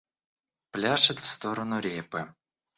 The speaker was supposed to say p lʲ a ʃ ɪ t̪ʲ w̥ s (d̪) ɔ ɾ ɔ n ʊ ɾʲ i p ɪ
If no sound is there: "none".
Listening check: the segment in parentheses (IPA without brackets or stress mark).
t̪